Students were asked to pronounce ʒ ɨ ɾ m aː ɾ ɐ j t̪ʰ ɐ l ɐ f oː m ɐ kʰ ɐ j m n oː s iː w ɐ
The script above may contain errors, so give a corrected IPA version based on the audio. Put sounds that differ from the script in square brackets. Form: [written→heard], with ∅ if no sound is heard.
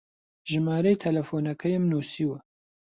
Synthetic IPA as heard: ʒ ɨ [ɾ→∅] m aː ɾ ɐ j t̪ʰ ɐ l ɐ f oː [m→n] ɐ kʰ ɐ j m n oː s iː w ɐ